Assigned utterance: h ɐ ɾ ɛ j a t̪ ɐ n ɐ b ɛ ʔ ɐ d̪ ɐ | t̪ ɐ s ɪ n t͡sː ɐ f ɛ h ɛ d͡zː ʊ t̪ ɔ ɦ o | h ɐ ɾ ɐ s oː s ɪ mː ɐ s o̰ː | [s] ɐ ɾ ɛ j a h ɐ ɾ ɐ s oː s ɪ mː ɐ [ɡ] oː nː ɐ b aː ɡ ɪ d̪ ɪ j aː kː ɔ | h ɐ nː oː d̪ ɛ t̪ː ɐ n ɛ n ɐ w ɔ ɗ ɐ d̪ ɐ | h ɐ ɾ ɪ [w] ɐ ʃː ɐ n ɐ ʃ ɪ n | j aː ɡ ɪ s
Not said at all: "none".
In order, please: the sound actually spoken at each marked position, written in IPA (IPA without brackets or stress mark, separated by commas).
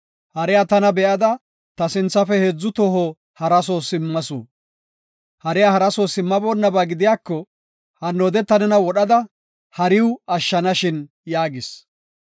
h, b, w